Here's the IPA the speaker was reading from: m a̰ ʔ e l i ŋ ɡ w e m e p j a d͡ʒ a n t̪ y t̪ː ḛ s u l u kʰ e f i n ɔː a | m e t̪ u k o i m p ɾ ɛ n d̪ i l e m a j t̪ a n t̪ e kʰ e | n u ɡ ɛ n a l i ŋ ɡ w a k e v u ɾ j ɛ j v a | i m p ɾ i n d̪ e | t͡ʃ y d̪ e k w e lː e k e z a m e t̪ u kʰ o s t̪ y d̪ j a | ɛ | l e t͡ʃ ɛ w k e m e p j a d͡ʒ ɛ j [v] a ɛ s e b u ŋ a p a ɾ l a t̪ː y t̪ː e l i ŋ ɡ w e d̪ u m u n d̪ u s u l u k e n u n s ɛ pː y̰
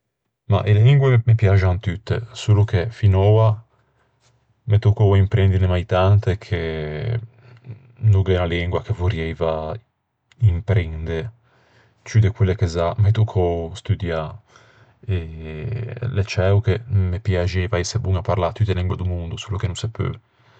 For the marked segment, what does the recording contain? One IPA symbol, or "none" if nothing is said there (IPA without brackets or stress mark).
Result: v